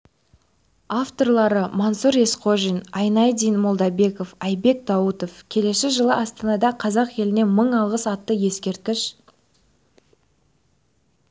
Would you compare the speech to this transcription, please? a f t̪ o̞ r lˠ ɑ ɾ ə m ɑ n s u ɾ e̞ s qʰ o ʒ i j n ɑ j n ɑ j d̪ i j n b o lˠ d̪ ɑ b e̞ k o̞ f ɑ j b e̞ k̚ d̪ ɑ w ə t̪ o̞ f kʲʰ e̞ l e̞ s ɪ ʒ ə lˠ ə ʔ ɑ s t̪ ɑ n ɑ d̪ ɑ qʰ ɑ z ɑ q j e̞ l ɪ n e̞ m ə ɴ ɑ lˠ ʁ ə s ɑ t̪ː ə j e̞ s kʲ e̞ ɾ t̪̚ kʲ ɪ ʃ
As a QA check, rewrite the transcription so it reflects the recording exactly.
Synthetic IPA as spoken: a f t̪ o̞ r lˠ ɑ ɾ ə m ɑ n s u ɾ e̞ s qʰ o ʒ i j n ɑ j n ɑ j d̪ i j n m o lˠ d̪ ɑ b e̞ k o̞ f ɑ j b e̞ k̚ d̪ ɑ w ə t̪ o̞ f kʲʰ e̞ l e̞ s ɪ ʒ ə lˠ ə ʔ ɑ s t̪ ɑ n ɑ d̪ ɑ qʰ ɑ z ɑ q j e̞ l ɪ n e̞ m ə ɴ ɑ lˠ ʁ ə s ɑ t̪ː ə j e̞ s kʲ e̞ ɾ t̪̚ kʲ ɪ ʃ